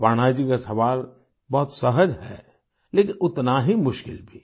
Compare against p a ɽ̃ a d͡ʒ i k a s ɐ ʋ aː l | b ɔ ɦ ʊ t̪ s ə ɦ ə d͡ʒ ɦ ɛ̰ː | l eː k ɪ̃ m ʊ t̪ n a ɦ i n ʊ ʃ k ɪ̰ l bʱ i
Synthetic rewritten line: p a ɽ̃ a d͡ʒ i k a s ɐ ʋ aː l | b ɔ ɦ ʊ t̪ s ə ɦ ə d͡ʒ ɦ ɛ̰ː | l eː k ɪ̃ n ʊ t̪ n a ɦ i m ʊ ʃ k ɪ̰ l bʱ i